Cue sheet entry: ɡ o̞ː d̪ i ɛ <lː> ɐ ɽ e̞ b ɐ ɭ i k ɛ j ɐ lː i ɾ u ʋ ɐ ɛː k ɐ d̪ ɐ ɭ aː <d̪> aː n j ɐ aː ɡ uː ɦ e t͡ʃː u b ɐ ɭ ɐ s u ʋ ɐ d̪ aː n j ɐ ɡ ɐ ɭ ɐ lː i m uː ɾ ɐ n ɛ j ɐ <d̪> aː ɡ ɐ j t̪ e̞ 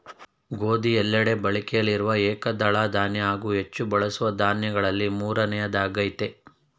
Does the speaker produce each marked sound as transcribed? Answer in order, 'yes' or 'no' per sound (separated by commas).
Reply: yes, yes, yes